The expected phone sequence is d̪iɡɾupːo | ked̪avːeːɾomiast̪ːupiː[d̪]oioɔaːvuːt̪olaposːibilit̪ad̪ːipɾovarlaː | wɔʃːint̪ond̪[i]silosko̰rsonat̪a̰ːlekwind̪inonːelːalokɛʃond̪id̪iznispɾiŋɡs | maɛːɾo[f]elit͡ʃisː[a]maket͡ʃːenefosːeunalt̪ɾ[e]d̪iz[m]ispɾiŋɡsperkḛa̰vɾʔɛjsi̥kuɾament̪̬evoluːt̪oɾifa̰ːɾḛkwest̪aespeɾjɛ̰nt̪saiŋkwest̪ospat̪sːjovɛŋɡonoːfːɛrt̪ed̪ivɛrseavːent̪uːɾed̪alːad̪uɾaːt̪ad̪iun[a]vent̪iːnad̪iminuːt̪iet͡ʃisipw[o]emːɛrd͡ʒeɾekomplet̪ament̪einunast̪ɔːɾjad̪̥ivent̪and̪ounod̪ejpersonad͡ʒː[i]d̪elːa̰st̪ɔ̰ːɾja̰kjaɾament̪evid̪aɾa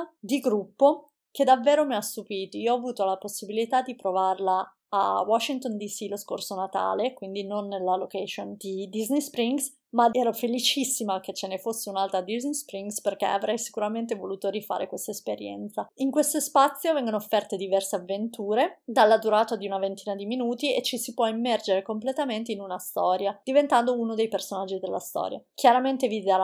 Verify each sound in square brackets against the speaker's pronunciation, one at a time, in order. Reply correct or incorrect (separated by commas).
incorrect, correct, correct, incorrect, incorrect, incorrect, correct, incorrect, correct